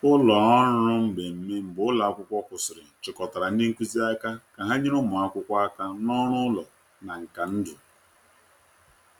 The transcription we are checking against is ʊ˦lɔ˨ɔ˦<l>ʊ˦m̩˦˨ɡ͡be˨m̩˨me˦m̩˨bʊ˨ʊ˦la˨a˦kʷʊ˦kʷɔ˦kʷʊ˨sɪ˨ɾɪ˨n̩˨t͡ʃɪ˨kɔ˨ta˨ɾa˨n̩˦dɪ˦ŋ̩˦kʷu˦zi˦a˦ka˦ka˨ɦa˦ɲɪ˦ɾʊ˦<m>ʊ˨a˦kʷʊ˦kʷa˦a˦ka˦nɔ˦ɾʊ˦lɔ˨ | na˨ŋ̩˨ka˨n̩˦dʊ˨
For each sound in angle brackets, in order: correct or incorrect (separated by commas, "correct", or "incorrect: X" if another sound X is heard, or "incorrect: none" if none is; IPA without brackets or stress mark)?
incorrect: ɾ, correct